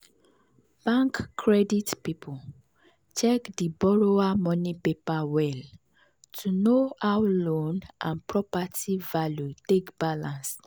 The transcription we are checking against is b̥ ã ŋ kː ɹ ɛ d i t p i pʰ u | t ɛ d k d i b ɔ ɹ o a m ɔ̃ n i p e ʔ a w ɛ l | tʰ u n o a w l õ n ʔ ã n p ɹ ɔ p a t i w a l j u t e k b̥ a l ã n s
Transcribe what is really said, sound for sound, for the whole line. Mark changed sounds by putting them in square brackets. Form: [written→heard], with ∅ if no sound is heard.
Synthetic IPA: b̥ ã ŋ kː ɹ ɛ d i t p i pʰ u | [t→t͡ʃ] ɛ [d→∅] k d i b ɔ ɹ o a m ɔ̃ n i p e [ʔ→p] a w ɛ l | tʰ u n o a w l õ n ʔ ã n p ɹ ɔ p a t i [w→v] a l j u t e k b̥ a l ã n s